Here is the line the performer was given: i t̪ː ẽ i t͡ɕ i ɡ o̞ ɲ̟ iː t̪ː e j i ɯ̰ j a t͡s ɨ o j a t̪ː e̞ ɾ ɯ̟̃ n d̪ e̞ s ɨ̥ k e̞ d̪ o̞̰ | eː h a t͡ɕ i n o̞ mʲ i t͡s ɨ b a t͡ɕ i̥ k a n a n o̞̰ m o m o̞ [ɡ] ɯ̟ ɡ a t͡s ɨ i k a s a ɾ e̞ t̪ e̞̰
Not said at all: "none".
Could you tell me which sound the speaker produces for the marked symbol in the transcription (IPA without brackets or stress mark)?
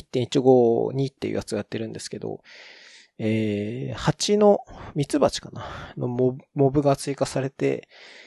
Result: b